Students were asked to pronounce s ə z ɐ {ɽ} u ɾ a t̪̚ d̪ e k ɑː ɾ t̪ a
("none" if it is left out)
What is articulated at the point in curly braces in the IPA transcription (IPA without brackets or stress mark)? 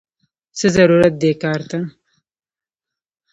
ɾ